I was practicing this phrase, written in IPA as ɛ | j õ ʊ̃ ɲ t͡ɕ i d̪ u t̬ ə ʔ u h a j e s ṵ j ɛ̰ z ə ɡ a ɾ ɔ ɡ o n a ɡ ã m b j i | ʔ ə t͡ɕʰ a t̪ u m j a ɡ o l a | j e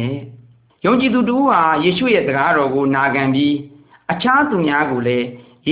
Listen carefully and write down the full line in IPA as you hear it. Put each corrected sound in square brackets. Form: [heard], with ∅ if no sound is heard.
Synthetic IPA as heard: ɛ | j õ ʊ̃ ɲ t͡ɕ i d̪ u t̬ ə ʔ u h a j e [ʃ] ṵ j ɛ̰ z ə ɡ a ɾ ɔ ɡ o n a ɡ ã m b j i | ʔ ə t͡ɕʰ a t̪ u m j a ɡ o l [ɛ] | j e